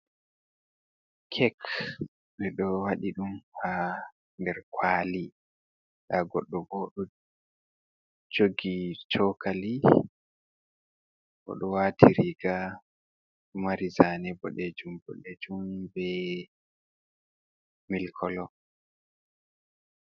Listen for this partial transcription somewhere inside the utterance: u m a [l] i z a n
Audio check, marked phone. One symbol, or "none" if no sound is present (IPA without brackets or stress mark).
ɾ